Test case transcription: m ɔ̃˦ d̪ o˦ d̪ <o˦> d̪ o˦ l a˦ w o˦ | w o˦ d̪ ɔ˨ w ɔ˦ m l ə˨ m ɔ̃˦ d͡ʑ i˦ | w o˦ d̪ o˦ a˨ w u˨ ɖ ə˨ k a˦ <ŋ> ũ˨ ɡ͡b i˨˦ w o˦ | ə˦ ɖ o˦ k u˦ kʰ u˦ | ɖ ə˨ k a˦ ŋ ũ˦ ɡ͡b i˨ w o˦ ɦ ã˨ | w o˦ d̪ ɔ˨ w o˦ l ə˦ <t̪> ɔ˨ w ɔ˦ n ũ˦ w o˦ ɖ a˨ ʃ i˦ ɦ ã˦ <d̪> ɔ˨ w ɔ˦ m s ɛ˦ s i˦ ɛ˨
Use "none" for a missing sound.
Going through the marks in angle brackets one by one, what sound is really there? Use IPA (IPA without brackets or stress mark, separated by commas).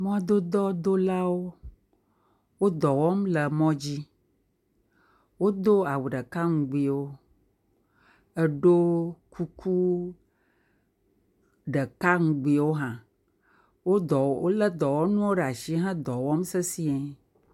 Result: ɔ˦, ŋ, d̪, d̪